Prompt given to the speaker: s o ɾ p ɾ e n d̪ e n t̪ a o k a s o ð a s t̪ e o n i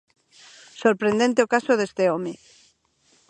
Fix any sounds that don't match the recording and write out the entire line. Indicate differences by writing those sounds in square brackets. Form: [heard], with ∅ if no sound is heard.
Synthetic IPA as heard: s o ɾ p ɾ e n d̪ e n t̪ [e] o k a s o ð [e] s t̪ e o [m] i